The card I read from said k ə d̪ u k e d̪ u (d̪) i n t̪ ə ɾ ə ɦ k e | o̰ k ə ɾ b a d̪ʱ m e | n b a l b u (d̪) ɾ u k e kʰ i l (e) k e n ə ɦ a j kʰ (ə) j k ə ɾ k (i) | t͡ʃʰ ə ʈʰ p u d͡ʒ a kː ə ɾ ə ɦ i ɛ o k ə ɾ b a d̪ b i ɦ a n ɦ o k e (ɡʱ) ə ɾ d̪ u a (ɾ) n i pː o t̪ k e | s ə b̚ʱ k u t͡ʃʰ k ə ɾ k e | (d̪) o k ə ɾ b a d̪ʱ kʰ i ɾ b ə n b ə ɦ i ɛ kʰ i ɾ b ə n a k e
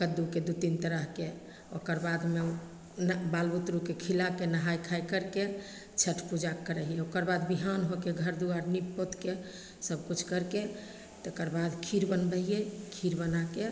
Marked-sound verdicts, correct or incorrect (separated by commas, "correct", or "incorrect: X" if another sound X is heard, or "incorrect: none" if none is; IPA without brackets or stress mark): incorrect: t̪, incorrect: t̪, incorrect: a, incorrect: a, incorrect: e, correct, correct, incorrect: t̪